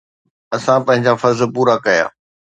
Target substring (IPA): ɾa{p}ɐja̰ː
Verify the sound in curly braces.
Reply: incorrect: k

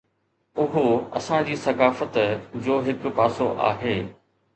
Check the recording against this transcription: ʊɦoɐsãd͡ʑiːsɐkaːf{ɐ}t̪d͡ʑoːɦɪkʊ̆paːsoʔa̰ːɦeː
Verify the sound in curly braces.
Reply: incorrect: ə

